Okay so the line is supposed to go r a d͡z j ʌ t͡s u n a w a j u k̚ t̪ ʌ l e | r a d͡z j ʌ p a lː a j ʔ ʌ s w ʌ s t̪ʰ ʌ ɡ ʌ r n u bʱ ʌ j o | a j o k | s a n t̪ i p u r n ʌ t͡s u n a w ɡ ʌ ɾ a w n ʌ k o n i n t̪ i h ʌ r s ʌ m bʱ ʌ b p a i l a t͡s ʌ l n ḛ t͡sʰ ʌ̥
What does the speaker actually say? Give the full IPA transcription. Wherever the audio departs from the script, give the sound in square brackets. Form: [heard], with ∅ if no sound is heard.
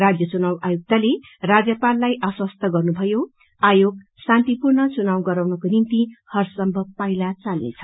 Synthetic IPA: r a d͡z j ʌ t͡s u n a w a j u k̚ t̪ [a] l e | r a d͡z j ʌ p a lː a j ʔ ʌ s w ʌ s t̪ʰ ʌ ɡ ʌ r n u bʱ ʌ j o | a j o [ɡ] | s a n t̪ i p u r n ʌ t͡s u n a w ɡ ʌ ɾ a w n ʌ k o n i n t̪ i h ʌ r s ʌ m bʱ ʌ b p a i l a t͡s [a] l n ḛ t͡sʰ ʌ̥